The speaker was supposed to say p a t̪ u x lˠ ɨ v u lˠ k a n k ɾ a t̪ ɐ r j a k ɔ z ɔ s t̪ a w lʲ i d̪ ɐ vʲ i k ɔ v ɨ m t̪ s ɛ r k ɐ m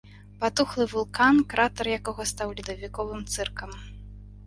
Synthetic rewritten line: p a t̪ u x lˠ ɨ v u lˠ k a n k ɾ a t̪ ɐ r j a k ɔ ɣ ɔ s t̪ a w lʲ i d̪ ɐ vʲ i k ɔ v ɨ m t̪ s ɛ r k ɐ m